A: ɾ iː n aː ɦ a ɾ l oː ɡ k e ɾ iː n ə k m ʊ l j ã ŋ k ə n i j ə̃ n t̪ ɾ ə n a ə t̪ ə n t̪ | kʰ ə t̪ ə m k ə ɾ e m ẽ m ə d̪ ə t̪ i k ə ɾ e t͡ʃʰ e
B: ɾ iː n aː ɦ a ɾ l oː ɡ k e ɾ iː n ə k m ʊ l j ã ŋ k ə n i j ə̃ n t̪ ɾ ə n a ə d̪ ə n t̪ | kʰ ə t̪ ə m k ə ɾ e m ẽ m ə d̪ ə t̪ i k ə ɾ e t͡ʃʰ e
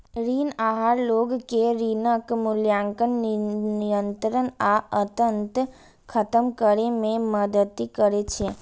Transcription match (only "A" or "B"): A